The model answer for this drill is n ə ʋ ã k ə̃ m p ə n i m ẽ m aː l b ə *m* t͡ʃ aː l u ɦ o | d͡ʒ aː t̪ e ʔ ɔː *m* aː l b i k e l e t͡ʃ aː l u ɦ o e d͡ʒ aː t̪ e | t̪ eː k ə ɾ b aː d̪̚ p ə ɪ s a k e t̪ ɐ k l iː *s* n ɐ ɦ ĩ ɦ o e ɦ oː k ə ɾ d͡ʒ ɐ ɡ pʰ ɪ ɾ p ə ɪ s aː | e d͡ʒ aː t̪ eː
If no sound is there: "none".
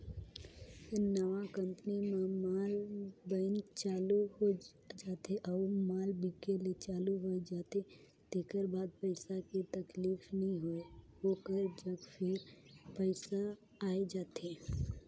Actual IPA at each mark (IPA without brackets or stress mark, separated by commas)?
n, m, f